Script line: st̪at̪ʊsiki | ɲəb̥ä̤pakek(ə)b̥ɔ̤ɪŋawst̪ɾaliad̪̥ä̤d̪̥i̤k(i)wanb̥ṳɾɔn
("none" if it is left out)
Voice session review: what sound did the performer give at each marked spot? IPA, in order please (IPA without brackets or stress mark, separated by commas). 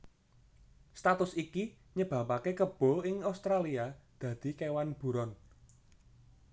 ə, e